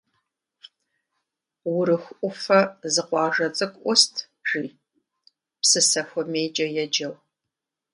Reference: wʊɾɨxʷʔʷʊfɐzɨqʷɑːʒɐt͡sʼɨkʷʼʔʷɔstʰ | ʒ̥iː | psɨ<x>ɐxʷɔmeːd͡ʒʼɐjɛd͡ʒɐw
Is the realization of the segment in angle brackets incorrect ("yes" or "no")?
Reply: yes